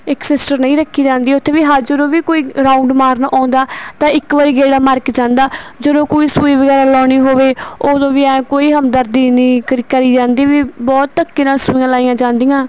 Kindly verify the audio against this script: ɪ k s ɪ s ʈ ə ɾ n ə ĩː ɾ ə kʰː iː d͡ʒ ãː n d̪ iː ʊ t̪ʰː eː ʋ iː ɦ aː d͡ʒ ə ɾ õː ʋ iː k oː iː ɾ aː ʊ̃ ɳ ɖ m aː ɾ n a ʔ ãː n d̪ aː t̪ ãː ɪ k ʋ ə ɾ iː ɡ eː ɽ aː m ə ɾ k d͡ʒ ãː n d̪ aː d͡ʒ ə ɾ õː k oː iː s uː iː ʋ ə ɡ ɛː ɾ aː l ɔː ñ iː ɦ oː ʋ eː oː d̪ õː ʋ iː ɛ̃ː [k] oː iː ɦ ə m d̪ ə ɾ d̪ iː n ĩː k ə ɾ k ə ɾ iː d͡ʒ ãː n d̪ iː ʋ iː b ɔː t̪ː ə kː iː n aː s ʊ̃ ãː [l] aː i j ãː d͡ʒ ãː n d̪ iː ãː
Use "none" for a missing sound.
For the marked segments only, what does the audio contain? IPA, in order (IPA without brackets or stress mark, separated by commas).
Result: k, l